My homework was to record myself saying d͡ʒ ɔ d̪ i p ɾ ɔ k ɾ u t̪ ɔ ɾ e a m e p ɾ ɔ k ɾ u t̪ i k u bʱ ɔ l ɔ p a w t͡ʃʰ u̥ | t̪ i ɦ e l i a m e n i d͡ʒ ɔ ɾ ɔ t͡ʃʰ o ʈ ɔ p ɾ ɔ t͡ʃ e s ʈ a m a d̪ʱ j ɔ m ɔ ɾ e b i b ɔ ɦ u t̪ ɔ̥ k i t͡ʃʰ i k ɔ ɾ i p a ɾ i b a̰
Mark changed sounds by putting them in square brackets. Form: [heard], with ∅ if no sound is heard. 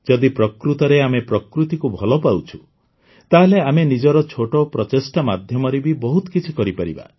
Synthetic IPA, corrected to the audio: d͡ʒ ɔ d̪ i p ɾ ɔ k ɾ u t̪ ɔ ɾ e a m e p ɾ ɔ k ɾ u t̪ i k u bʱ ɔ l ɔ p a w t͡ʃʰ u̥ | t̪ [a] ɦ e l [e] a m e n i d͡ʒ ɔ ɾ ɔ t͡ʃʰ o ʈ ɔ p ɾ ɔ t͡ʃ e s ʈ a m a d̪ʱ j ɔ m ɔ ɾ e b i b ɔ ɦ u t̪ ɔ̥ k i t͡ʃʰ i k ɔ ɾ i p a ɾ i b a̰